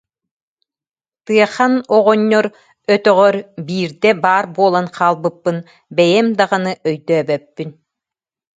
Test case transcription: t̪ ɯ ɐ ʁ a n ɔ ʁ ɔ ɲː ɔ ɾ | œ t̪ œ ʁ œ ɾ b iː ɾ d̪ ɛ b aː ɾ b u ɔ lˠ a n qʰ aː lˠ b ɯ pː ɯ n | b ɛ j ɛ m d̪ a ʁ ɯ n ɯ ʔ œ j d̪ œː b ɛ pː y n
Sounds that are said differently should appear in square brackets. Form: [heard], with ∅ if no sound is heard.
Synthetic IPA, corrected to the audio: t̪ ɯ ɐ [χ] a n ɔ ʁ ɔ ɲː ɔ ɾ | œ t̪ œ ʁ œ ɾ b iː ɾ d̪ ɛ b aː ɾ b u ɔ lˠ a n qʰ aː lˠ b ɯ pː ɯ n | b ɛ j ɛ m d̪ a ʁ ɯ n ɯ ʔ œ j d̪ œː b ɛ pː y n